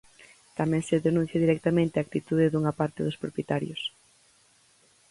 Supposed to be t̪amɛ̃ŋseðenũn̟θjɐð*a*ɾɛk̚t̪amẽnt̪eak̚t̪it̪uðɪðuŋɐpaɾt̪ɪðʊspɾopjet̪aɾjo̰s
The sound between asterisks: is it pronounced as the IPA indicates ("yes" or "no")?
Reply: no